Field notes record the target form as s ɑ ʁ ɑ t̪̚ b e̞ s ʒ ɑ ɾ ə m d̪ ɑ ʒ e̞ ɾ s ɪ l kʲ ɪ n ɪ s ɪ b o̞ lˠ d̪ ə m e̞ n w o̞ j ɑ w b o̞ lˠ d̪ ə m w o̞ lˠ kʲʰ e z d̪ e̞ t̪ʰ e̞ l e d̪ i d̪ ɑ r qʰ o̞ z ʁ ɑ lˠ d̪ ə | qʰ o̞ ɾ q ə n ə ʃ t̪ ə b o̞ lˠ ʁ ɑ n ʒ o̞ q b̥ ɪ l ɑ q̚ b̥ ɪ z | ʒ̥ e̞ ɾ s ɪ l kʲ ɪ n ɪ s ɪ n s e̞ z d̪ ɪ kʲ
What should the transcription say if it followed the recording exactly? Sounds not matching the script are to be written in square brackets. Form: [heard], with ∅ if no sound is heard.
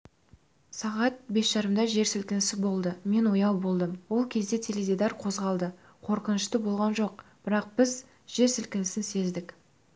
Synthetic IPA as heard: s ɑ ʁ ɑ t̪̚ b e̞ s ʒ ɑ ɾ ə m d̪ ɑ ʒ e̞ ɾ s ɪ l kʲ ɪ n ɪ s ɪ b o̞ lˠ d̪ ə m e̞ n w o̞ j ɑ w b o̞ lˠ d̪ ə m w o̞ lˠ kʲʰ e z d̪ e̞ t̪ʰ e̞ l e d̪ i d̪ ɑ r qʰ o̞ z ʁ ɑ lˠ d̪ ə | qʰ o̞ ɾ q ə n ə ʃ t̪ ə b o̞ lˠ ʁ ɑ n ʒ o̞ q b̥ ɪ [ɾ] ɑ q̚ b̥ ɪ z | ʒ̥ e̞ ɾ s ɪ l kʲ ɪ n ɪ s ɪ n s e̞ z d̪ ɪ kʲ